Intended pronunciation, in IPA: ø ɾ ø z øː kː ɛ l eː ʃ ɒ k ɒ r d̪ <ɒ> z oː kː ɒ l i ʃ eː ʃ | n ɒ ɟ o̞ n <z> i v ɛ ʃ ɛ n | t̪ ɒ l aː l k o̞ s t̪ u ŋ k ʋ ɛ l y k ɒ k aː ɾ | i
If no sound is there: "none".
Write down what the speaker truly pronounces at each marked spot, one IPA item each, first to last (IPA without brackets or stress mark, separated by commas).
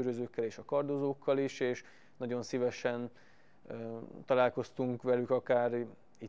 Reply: o, s